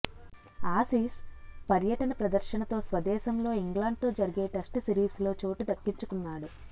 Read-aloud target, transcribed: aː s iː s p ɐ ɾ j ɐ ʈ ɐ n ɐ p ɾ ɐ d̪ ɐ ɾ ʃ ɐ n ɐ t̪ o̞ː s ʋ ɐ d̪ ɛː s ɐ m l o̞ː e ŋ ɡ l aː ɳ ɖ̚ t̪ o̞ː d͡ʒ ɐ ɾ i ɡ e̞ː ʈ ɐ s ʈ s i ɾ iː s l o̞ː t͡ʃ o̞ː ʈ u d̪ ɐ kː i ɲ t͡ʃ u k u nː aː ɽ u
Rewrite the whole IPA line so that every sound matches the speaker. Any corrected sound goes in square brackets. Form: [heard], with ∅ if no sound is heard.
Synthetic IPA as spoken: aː s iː s p ɐ ɾ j ɐ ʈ ɐ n ɐ p ɾ ɐ d̪ ɐ ɾ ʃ ɐ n ɐ t̪ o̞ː s ʋ ɐ d̪ ɛː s ɐ m l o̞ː [i] ŋ ɡ l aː ɳ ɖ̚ t̪ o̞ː d͡ʒ ɐ ɾ i ɡ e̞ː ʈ ɐ s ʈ s i ɾ iː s l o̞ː t͡ʃ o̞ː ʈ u d̪ ɐ kː i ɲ t͡ʃ u k u nː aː ɽ u

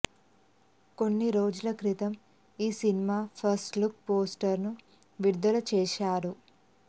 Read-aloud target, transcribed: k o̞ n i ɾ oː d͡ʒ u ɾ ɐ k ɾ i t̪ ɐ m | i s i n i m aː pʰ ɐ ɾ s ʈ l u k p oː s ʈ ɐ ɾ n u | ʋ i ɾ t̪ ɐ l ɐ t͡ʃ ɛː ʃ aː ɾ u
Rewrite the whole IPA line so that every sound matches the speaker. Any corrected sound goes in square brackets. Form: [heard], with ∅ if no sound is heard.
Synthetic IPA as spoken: k o̞ [nː] i ɾ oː d͡ʒ u [l] ɐ k ɾ i t̪ ɐ m | [iː] s i n i m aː pʰ ɐ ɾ s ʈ l u k p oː s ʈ ɐ ɾ n u | ʋ i ɾ [d̪] ɐ l ɐ t͡ʃ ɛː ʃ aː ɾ u

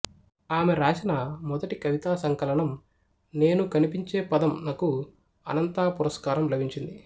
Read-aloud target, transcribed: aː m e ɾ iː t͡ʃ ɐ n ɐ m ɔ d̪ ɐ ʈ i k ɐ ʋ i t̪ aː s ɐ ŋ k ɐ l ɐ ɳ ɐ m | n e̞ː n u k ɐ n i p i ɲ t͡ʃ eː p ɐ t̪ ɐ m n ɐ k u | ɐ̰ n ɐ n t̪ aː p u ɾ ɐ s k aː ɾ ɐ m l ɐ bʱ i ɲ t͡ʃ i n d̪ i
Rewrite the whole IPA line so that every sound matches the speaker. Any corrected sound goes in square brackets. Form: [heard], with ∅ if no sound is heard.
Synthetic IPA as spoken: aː m e ɾ [aː] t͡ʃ ɐ n ɐ m ɔ d̪ ɐ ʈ i k ɐ ʋ i t̪ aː s ɐ ŋ k ɐ l ɐ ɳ ɐ m | n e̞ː n u k ɐ n i p i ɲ t͡ʃ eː p ɐ [d̪] ɐ m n ɐ k u | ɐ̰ n ɐ n t̪ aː p u ɾ ɐ s k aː ɾ ɐ m l ɐ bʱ i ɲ t͡ʃ i n d̪ i

